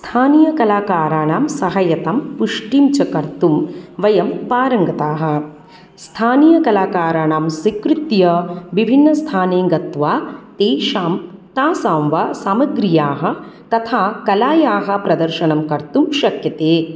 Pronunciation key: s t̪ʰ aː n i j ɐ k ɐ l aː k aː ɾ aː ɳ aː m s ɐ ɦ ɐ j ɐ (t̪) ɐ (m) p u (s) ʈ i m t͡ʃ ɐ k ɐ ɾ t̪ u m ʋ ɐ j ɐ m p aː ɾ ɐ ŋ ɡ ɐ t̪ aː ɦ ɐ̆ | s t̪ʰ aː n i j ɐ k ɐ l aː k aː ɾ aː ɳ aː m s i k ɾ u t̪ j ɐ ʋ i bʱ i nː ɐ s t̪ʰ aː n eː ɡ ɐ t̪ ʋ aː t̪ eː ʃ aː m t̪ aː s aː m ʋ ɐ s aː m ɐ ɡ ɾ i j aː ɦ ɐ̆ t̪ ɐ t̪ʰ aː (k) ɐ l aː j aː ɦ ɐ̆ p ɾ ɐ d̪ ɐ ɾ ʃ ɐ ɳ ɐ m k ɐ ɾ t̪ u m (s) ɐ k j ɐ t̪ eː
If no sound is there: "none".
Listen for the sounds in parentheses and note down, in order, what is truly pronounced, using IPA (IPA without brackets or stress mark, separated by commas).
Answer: t̪, m, ʂ, k, ʃ